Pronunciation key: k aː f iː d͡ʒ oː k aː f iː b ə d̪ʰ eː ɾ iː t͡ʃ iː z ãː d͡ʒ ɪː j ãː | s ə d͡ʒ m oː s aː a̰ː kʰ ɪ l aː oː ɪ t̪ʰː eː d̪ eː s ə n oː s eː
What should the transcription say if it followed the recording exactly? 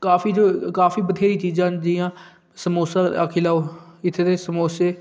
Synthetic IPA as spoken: k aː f iː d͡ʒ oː k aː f iː b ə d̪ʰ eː ɾ iː t͡ʃ iː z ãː d͡ʒ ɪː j ãː | s ə m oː s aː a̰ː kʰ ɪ l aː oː ɪ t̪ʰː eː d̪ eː s ə m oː s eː